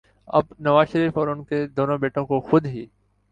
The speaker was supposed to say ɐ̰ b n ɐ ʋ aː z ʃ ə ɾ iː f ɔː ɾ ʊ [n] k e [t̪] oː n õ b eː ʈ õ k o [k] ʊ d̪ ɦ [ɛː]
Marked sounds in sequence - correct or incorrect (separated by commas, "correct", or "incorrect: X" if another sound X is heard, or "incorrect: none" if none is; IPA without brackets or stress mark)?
correct, incorrect: d̪, incorrect: x, incorrect: iː